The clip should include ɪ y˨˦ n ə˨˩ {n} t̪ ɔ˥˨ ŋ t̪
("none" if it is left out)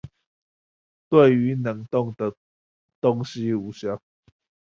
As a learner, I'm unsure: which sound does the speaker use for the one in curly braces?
ŋ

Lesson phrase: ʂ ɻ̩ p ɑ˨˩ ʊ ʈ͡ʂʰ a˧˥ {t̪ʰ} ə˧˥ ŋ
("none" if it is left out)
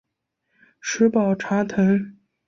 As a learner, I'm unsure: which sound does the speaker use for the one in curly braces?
t̪ʰ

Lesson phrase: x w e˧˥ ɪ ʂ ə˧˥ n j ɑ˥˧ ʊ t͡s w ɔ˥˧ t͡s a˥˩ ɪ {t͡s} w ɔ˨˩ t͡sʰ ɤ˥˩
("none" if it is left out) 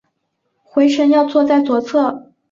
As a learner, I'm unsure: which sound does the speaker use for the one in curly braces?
t͡s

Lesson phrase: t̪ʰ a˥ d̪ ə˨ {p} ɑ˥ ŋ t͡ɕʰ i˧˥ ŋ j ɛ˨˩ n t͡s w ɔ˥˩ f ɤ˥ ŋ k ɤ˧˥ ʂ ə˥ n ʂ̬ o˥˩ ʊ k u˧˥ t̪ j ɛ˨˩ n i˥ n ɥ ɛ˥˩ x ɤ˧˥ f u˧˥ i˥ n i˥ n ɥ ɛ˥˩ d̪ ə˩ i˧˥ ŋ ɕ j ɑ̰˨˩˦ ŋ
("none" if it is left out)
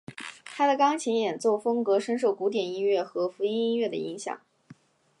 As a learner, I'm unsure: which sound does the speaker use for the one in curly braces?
k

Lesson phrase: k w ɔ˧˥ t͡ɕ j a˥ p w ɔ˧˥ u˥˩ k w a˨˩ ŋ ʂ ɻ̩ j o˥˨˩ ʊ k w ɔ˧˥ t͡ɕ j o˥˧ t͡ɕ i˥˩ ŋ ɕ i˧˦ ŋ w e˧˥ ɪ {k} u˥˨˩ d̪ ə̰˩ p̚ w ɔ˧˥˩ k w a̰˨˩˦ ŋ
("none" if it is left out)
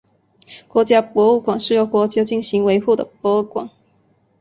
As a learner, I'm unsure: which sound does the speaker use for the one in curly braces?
x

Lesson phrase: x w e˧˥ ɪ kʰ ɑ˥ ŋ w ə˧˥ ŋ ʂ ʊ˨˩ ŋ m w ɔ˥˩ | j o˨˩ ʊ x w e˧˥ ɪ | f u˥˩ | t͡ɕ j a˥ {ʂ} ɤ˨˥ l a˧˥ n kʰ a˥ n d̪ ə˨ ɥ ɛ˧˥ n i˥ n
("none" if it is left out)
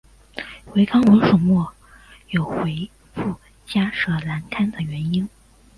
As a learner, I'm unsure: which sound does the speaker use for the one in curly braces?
ʂ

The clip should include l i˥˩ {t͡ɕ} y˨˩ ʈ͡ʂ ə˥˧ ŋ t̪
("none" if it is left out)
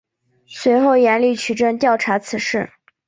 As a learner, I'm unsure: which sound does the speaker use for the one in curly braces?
t͡ɕʰ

